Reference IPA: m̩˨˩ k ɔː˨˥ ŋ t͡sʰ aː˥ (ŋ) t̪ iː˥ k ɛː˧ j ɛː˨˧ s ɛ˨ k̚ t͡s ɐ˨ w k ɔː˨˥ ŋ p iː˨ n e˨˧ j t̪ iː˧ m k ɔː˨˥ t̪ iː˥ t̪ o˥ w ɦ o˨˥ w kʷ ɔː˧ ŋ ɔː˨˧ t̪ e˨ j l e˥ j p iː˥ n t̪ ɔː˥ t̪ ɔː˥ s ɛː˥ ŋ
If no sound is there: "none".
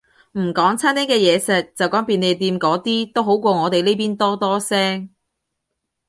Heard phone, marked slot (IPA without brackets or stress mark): n